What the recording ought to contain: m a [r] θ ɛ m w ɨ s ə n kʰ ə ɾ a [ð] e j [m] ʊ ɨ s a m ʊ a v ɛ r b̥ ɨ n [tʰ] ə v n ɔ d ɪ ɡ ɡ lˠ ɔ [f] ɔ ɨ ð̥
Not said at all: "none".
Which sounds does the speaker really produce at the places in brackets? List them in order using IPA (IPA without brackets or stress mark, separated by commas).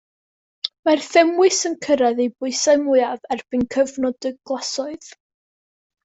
r, ð, b, kʰ, s